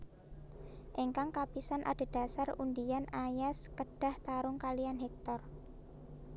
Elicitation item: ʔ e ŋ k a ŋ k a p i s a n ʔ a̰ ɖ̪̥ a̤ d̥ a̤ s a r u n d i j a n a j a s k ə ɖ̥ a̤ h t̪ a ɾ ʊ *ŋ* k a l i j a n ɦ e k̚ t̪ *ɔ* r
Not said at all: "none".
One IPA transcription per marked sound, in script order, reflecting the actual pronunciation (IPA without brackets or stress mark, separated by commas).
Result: ŋ, ɔ